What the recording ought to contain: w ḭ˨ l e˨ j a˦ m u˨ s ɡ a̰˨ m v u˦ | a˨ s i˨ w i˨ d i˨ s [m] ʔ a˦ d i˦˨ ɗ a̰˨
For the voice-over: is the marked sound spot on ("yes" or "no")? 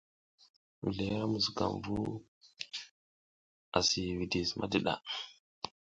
yes